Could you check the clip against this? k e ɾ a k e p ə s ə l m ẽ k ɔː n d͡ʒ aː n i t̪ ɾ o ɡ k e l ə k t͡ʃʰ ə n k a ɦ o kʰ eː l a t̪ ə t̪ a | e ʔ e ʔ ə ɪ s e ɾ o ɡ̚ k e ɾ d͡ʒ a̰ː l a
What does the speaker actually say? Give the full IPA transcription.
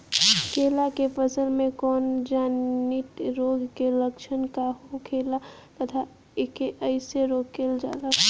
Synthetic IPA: k e l a k e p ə s ə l m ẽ k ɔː n d͡ʒ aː n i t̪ ɾ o ɡ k e l ə k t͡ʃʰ ə n k a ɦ o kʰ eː l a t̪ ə t̪ʰ a | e k e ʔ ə ɪ s e ɾ o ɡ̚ k e l d͡ʒ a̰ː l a